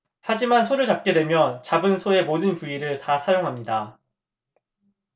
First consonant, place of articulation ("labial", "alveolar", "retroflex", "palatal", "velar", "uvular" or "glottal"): glottal